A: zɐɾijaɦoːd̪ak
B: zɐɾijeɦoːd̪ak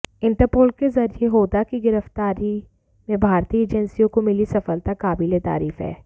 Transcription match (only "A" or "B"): B